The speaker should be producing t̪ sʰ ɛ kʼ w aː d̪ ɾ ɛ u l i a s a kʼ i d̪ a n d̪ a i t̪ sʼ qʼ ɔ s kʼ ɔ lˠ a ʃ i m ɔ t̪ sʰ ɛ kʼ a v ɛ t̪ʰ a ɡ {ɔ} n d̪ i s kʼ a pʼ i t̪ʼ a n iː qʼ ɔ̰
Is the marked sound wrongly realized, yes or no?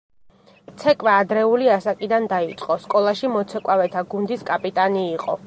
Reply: yes